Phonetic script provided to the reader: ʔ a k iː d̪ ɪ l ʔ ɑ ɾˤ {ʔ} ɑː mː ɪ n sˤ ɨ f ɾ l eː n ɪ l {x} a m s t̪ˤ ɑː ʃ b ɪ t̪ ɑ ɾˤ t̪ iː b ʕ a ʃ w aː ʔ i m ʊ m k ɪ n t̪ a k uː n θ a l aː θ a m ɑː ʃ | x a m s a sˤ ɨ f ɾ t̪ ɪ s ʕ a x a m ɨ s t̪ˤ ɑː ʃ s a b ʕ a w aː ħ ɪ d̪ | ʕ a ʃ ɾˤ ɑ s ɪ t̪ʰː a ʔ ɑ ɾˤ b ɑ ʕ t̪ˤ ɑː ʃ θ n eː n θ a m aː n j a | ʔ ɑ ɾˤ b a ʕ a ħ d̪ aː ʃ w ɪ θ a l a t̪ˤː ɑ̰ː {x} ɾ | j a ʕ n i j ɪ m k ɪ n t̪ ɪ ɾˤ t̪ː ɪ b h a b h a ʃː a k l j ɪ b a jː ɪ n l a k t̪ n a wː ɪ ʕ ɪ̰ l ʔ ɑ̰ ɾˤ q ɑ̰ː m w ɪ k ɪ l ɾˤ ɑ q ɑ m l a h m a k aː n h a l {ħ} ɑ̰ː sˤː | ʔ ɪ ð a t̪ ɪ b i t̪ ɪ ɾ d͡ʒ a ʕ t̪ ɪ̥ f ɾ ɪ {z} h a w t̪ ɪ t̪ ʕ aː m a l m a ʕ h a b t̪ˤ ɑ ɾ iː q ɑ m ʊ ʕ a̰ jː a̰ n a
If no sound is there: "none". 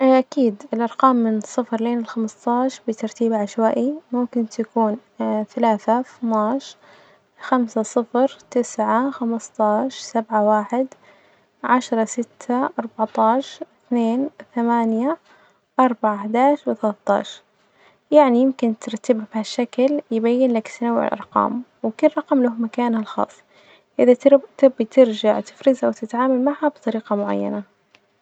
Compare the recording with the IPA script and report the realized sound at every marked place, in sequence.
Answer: q, x, ʃ, x, z

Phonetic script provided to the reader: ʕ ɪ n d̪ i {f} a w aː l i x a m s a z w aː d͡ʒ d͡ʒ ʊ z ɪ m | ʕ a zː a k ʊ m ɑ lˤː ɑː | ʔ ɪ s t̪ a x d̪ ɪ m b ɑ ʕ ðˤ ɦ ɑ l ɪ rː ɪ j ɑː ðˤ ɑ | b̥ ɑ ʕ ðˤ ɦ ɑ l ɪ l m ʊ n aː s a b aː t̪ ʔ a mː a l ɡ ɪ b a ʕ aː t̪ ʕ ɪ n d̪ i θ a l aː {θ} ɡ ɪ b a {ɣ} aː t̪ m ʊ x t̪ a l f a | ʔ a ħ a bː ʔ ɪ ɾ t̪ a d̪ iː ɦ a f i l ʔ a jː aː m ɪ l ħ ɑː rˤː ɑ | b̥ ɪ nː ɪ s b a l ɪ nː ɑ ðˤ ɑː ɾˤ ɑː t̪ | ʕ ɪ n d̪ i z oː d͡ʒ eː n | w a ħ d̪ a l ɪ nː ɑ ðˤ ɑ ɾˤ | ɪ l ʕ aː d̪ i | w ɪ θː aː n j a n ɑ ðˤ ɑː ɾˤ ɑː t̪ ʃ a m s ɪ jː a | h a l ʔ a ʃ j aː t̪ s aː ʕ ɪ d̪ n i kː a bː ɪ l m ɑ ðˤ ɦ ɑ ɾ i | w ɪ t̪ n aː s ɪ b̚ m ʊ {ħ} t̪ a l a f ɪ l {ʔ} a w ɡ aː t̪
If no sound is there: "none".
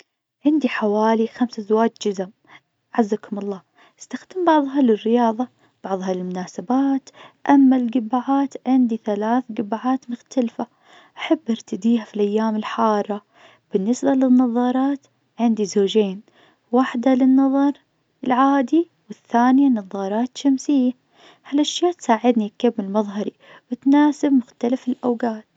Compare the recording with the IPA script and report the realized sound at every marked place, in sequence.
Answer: ħ, θ, ʕ, x, ʔ

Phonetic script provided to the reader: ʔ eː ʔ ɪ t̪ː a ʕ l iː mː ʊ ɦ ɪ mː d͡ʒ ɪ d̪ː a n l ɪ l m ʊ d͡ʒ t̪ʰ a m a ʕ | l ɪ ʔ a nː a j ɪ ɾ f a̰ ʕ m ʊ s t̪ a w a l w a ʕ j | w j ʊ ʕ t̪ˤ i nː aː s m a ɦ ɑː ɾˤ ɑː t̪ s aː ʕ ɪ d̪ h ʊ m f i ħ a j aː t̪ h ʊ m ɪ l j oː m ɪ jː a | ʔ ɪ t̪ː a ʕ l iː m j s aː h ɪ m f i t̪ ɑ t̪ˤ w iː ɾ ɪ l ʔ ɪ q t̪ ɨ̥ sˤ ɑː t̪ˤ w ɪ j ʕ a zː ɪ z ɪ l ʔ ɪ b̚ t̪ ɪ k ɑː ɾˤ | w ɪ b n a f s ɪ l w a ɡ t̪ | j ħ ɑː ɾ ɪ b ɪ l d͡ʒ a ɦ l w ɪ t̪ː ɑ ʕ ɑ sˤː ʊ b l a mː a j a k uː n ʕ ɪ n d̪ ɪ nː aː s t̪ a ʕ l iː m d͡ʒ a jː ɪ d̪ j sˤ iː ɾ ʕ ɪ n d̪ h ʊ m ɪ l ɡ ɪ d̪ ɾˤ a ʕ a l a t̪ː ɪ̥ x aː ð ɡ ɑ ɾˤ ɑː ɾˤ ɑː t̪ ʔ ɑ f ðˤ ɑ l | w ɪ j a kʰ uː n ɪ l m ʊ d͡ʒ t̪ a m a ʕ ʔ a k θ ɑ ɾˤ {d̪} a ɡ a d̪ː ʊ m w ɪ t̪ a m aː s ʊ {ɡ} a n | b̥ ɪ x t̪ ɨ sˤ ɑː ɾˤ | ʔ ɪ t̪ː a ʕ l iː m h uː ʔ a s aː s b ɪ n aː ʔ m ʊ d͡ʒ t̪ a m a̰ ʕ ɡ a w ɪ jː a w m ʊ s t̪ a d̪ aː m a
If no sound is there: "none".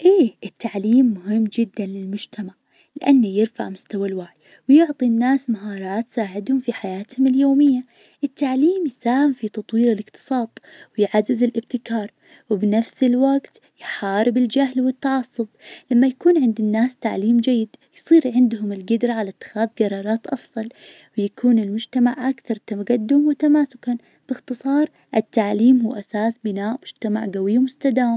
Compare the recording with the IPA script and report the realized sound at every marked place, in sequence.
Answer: t̪, k

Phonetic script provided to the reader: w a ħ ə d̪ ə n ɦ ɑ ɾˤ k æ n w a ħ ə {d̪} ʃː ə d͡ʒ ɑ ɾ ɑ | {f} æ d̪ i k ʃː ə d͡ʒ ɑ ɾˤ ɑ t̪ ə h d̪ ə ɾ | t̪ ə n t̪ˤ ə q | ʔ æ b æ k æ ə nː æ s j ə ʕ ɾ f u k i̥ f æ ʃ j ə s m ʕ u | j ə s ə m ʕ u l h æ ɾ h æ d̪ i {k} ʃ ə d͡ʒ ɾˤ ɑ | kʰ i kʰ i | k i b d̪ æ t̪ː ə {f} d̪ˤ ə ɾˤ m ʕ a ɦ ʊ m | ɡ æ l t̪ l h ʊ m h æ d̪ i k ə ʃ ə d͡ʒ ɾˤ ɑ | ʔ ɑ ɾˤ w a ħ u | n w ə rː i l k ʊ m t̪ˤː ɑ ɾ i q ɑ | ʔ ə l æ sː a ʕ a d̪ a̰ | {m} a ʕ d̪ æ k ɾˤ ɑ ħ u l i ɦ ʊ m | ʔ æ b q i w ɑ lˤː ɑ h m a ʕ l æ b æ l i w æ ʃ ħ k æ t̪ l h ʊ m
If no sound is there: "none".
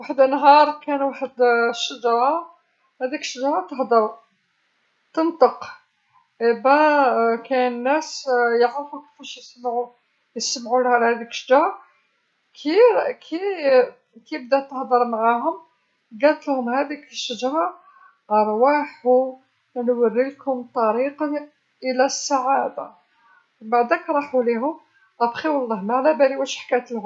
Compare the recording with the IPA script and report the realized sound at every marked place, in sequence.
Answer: d̪, h, k, h, b

